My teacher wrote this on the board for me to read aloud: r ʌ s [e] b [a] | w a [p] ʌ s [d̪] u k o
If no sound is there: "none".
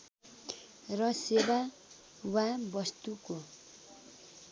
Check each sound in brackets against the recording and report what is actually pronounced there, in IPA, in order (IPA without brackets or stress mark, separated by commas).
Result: e, a, b, t̪